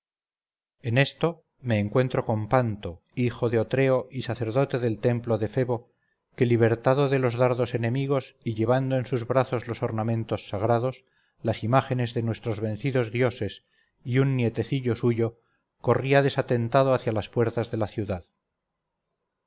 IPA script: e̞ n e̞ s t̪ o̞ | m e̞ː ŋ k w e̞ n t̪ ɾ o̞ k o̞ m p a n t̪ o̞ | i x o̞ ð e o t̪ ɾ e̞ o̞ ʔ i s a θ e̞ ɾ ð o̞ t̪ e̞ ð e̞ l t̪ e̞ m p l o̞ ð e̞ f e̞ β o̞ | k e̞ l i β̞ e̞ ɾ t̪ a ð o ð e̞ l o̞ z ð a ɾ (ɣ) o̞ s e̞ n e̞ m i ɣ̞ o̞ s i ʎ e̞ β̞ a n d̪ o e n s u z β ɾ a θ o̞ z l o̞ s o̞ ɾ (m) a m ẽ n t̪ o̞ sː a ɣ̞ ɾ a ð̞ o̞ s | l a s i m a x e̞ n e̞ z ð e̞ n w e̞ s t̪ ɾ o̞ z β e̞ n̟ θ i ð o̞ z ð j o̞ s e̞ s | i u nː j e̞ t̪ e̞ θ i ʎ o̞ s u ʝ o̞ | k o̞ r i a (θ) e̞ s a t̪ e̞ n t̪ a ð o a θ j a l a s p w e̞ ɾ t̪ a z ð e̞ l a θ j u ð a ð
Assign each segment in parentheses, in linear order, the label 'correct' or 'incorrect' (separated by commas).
incorrect, incorrect, incorrect